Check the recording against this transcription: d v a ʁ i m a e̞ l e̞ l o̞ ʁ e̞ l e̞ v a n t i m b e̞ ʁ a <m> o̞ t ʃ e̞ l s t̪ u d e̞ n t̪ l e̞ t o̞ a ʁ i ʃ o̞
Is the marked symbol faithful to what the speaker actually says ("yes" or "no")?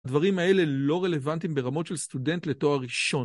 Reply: yes